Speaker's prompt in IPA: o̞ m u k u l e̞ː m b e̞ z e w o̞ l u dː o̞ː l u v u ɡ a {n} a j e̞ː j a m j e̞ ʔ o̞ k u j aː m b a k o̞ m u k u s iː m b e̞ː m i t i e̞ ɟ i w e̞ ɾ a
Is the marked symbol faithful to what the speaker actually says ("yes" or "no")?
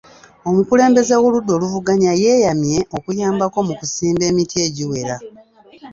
no